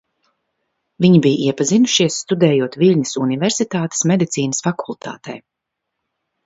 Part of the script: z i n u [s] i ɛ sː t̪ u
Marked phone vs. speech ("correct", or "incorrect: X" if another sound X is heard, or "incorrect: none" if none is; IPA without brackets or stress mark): incorrect: ʃ